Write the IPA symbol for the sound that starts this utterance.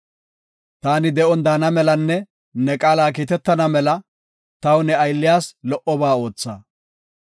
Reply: t̪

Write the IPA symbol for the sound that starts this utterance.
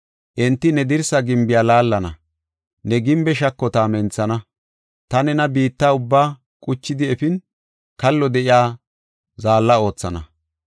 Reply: ʔ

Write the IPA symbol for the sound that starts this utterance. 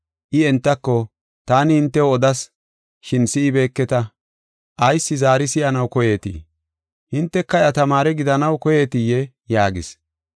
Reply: ʔ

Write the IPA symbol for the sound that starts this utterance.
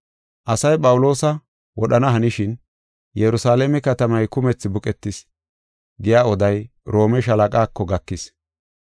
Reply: ʔ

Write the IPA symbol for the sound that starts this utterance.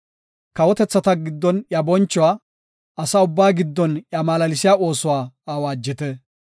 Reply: k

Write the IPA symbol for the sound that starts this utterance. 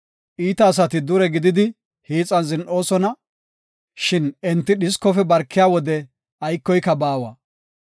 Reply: ʔ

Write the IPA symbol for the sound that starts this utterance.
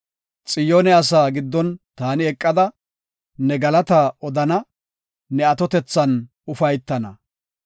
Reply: t͡sʼ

